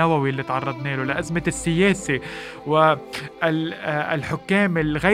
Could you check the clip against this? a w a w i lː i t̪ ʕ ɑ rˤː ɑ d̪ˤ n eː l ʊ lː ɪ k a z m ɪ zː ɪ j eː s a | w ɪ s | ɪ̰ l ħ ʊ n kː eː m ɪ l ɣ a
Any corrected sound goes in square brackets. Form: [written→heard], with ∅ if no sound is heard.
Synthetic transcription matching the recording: a w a w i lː i t̪ ʕ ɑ rˤː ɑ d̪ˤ n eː l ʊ [lː→l] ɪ [k→ʔ] a z m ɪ [zː→sː] ɪ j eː s [a→i] | w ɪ [s→∅] | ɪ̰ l ħ ʊ [n→∅] kː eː m ɪ l ɣ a